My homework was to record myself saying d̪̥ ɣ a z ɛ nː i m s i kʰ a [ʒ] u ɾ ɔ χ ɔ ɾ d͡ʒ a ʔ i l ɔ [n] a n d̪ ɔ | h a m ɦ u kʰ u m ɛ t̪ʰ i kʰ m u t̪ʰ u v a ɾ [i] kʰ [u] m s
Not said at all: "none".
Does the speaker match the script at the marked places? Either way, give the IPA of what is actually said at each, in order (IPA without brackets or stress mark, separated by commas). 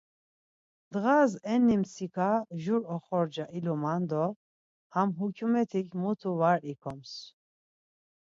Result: ʒ, m, i, ɔ